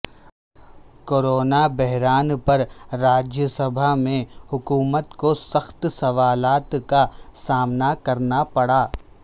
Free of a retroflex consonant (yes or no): no